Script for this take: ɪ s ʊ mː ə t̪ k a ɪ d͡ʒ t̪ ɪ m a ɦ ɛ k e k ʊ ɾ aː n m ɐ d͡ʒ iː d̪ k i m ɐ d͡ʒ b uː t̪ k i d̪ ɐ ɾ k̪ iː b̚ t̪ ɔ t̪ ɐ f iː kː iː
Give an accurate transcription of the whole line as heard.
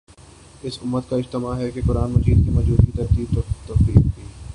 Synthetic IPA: ɪ s ʊ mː ə t̪ k a ɪ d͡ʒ t̪ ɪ m a ɦ ɛ k e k ʊ ɾ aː n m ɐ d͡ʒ iː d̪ k i m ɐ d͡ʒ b uː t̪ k i t̪ ɐ ɾ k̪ iː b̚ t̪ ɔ t̪ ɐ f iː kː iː